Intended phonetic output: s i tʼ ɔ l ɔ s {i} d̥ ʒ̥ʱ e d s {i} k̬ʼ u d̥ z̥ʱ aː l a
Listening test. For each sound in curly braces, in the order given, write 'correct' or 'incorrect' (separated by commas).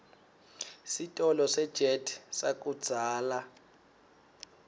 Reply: incorrect, incorrect